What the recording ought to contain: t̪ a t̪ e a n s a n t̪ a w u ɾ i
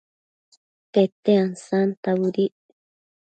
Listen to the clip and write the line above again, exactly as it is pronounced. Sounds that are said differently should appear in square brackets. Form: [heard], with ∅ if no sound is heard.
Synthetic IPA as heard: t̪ [e] t̪ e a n s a n t̪ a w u ɾ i